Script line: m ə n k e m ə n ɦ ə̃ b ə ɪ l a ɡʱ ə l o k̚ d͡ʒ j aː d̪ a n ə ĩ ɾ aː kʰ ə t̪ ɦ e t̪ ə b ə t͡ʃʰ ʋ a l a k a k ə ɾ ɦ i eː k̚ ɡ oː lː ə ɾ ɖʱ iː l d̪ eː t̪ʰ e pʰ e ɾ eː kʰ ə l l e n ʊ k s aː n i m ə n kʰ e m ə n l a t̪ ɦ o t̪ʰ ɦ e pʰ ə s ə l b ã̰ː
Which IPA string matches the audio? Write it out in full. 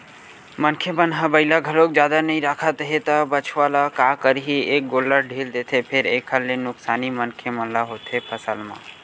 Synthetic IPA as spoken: m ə n kʰ e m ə n ɦ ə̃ b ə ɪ l a ɡʱ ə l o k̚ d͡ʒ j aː d̪ a n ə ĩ ɾ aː kʰ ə t̪ ɦ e t̪ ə b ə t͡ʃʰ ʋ a l a k a k ə ɾ ɦ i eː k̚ ɡ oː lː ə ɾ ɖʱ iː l d̪ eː t̪ʰ e pʰ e ɾ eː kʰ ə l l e n ʊ k s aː n i m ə n kʰ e m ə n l a ɦ o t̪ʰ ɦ e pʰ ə s ə l m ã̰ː